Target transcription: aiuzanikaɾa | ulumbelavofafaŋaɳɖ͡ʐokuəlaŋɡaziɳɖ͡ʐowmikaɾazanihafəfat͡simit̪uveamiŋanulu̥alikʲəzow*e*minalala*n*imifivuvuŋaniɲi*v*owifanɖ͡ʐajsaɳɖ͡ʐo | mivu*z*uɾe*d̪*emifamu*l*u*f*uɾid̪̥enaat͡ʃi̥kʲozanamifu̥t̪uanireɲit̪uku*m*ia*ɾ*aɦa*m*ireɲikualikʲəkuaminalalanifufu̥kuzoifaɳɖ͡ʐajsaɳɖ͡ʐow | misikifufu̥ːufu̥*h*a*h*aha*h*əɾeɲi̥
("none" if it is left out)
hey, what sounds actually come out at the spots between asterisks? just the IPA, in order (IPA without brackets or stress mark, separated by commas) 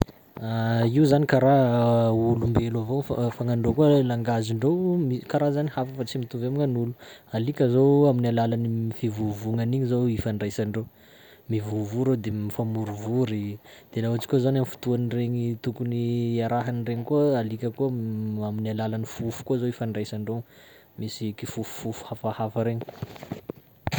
a, n, z, v, d̪, ɾ, v, n, ɾ, n, h, f, f